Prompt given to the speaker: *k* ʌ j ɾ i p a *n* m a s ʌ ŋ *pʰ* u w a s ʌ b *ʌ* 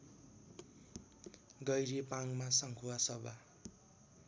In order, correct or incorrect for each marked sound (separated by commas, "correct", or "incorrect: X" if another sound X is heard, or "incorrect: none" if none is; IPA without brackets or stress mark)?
incorrect: ɡ, incorrect: ŋ, incorrect: kʰ, incorrect: a